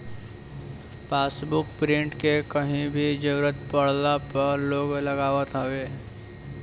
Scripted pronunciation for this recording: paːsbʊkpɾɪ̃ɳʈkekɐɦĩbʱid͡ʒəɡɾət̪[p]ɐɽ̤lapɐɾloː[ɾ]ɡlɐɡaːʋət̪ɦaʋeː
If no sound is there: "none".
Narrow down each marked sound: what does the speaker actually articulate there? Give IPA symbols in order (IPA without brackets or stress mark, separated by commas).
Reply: p, none